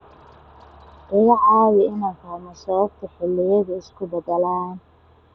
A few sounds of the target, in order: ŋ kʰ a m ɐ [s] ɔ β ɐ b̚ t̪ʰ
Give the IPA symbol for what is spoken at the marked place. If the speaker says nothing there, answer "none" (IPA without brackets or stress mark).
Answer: s